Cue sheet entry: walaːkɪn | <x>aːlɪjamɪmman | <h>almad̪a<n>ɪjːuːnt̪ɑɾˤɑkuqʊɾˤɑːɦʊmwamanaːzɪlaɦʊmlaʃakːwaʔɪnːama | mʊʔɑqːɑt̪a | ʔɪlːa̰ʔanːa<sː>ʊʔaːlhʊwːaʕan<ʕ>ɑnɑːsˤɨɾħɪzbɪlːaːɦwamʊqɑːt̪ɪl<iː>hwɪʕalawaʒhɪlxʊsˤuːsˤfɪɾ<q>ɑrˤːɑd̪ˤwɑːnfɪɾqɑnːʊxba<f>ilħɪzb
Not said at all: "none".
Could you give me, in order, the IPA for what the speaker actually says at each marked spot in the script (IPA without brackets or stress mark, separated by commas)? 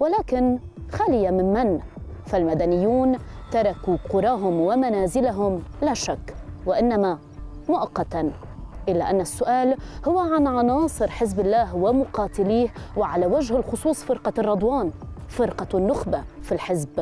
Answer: x, f, n, sː, ʕ, iː, q, f